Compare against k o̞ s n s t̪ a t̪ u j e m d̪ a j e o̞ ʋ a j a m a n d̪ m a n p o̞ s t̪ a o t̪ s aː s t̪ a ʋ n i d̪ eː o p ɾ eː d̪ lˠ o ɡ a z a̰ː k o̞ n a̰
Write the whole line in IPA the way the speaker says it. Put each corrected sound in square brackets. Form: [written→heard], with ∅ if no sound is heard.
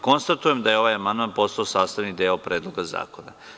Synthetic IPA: k o̞ [s→∅] n s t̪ a t̪ u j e m d̪ a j e o̞ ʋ a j a m a n d̪ m a n p o̞ s t̪ a o [t̪→∅] s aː s t̪ a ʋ n i d̪ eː o p ɾ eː d̪ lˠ o ɡ a z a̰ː k o̞ n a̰